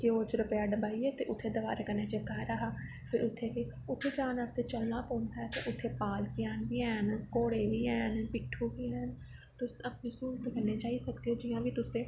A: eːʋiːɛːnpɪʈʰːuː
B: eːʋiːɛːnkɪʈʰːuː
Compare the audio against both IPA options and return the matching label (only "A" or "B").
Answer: A